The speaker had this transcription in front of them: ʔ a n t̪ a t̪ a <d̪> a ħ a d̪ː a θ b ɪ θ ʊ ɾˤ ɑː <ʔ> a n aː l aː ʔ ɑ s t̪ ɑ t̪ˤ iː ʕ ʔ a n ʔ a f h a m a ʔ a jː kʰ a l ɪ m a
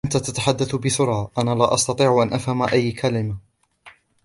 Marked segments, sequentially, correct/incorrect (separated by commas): incorrect, correct